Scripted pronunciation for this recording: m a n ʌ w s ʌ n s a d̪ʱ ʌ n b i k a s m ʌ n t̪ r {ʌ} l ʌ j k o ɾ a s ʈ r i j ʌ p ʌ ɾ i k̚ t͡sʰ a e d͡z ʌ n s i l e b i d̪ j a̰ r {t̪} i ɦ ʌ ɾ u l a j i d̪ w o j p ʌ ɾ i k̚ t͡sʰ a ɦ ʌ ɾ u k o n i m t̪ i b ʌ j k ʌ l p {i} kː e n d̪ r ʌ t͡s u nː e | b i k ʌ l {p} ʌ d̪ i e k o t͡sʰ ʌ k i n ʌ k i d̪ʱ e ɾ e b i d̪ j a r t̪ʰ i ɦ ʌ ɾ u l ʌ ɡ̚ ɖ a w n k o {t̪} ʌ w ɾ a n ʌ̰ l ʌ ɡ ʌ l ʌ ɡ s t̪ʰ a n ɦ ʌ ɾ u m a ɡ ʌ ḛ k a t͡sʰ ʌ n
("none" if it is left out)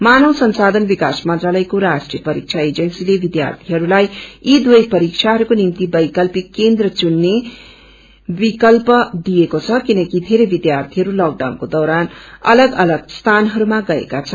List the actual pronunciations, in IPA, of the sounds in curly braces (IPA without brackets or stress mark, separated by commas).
a, t̪ʰ, i, p, d̪